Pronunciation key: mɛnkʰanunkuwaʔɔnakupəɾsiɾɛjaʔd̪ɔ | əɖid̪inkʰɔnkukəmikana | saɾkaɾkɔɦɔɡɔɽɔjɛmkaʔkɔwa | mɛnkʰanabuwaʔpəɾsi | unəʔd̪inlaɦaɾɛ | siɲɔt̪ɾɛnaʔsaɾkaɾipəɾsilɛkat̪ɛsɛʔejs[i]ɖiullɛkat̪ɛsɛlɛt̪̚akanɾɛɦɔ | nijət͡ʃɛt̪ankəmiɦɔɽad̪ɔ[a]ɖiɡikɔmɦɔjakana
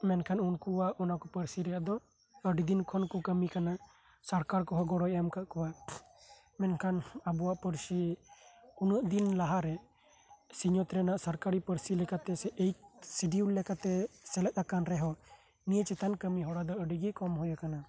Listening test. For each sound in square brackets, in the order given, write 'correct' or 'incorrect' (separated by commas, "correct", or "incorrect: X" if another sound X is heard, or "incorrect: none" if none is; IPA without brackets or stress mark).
correct, incorrect: ə